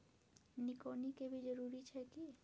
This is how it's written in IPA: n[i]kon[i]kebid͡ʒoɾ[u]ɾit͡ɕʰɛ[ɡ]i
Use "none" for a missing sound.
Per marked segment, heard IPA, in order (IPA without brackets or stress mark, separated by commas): i, i, u, k